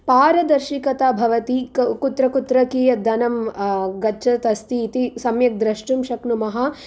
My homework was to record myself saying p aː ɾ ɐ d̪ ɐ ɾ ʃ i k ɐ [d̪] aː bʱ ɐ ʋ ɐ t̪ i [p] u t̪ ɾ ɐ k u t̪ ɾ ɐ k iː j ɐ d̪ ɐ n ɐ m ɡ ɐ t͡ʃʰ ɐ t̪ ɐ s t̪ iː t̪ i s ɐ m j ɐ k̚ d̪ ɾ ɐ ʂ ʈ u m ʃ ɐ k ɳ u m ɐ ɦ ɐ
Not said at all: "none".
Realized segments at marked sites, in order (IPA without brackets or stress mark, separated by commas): t̪, k